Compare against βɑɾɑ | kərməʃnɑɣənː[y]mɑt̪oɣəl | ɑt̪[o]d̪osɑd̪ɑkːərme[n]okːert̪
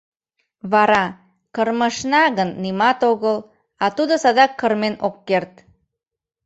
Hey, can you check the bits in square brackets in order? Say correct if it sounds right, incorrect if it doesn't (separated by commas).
incorrect, incorrect, correct